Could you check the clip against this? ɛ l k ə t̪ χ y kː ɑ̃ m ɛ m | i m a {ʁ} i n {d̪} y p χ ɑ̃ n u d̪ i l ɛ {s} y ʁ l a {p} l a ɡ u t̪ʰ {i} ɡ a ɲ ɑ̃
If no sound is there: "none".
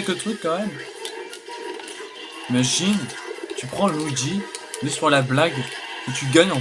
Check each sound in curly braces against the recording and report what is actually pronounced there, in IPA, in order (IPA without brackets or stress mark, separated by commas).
ʒ, t̪, s, b, y